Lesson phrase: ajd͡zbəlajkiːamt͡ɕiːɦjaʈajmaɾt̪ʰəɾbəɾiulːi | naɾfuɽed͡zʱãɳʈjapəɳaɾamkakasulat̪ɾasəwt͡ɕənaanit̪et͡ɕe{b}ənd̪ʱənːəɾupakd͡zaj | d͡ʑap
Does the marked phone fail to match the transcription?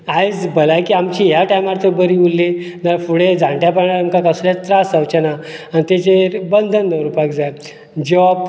no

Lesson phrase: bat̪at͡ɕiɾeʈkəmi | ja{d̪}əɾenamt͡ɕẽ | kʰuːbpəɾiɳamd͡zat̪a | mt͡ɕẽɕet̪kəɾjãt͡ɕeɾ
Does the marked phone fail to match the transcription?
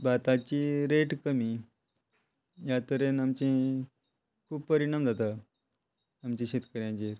yes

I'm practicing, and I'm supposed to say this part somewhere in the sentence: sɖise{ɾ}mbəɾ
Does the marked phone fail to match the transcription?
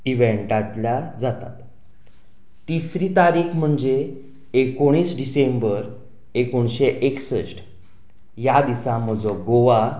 yes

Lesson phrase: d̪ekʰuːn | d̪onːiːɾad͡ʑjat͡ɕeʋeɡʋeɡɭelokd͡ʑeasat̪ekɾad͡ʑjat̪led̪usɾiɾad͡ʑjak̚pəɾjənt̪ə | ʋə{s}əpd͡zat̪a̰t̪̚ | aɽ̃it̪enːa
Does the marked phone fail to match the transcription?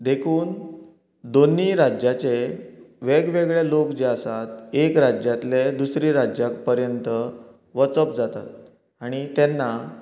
yes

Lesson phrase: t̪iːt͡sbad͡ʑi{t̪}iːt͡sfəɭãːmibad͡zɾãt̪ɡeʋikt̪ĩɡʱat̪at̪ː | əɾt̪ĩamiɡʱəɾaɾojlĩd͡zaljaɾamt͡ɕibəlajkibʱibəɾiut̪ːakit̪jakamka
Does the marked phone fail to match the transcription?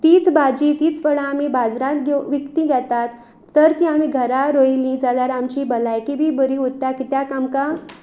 no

